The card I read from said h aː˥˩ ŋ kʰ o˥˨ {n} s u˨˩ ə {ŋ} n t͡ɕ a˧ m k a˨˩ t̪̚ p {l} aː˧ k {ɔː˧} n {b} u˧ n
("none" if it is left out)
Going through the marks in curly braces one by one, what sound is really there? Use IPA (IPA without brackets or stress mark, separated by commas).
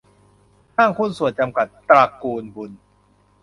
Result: n, none, ɾ, uː˧, b